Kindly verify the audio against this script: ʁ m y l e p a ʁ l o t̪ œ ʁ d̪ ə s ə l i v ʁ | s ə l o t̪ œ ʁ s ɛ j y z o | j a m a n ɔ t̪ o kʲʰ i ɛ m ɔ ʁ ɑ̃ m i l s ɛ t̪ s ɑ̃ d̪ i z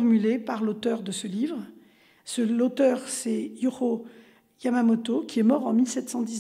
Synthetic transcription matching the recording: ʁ m y l e p a ʁ l o t̪ œ ʁ d̪ ə s ə l i v ʁ | s ə l o t̪ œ ʁ s ɛ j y ʁ o | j a m a m ɔ t̪ o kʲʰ i ɛ m ɔ ʁ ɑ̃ m i l s ɛ t̪ s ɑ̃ d̪ i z